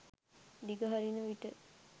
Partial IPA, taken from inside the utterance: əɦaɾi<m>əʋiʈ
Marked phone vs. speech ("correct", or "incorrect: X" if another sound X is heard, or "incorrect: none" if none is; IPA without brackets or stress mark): incorrect: n